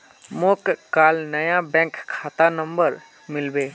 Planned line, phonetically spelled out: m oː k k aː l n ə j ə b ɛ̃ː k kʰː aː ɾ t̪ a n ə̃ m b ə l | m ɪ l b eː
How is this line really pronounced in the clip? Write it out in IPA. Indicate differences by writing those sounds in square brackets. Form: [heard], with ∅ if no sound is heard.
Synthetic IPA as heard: m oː k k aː l n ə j [a] b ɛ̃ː k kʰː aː [∅] t̪ a n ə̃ m b ə [ɾ] | m ɪ l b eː